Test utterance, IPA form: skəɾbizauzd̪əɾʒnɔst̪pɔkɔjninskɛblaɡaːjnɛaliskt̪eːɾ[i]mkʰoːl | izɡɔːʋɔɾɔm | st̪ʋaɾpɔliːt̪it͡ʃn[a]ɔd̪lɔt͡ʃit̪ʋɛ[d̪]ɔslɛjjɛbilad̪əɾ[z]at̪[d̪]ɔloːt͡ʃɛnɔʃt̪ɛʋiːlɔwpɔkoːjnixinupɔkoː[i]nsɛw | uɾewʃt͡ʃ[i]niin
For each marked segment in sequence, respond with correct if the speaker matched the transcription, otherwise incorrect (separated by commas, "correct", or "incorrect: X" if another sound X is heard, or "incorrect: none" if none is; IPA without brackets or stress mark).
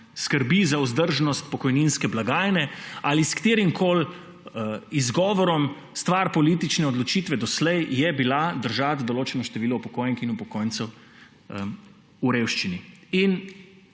correct, incorrect: ɛ, correct, incorrect: ʒ, correct, incorrect: j, correct